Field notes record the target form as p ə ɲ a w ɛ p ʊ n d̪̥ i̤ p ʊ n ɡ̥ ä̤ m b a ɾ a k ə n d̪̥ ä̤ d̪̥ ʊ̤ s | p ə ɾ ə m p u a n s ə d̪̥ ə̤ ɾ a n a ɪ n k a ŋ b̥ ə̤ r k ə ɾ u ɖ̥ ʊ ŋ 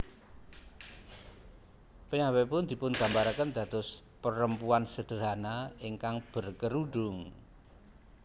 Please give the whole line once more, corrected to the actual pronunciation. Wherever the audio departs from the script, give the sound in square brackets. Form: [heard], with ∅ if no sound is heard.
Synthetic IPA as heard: p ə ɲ a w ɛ p ʊ n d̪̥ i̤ p ʊ n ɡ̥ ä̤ m b a ɾ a k ə n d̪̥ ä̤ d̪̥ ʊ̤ s | p ə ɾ ə m p u a n s ə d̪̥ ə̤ ɾ a n a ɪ [ŋ] k a ŋ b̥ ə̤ r k ə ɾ u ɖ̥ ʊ ŋ